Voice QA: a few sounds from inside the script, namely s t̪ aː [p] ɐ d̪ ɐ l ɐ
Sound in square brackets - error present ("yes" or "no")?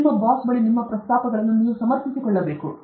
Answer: no